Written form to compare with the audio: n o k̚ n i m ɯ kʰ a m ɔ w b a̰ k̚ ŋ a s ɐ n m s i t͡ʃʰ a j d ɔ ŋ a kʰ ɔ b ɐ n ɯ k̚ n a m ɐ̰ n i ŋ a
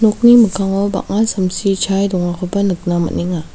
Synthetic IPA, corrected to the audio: n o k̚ n i m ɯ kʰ a ŋ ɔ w b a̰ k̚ ŋ a s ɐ m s i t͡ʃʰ a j d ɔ ŋ a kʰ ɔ b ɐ n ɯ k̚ n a m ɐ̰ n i ŋ a